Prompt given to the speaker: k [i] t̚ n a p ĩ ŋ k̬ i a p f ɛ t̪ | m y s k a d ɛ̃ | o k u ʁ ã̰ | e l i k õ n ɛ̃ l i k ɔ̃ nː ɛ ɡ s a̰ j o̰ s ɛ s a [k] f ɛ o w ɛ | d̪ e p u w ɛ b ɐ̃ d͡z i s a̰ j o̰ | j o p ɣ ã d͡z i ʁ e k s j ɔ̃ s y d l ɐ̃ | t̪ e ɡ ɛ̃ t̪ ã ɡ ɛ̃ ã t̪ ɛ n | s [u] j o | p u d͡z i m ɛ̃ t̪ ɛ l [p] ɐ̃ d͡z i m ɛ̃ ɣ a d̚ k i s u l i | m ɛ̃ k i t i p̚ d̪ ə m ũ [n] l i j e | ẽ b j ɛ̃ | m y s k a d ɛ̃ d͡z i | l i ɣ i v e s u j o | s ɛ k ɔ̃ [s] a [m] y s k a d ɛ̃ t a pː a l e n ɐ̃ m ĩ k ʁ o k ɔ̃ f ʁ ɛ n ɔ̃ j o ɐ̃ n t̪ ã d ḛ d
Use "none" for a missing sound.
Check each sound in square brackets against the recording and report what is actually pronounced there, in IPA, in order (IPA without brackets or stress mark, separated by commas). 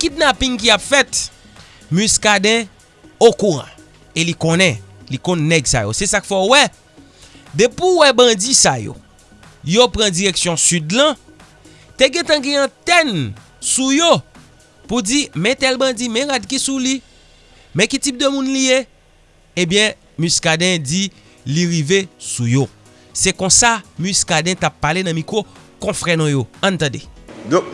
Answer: i, k, u, b, n, s, m